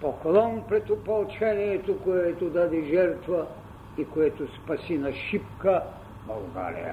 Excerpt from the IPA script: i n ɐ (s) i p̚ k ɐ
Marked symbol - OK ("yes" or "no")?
no